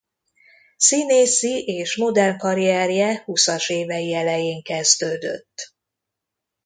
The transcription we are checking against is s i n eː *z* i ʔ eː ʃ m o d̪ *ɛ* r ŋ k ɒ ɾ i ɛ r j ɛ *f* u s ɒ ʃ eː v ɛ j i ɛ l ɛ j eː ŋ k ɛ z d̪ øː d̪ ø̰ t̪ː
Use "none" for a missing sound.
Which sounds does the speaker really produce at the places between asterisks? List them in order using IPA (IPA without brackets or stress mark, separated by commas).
s, ɛ, h